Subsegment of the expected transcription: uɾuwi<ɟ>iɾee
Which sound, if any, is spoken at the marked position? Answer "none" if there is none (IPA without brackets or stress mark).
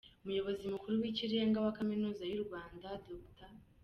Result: c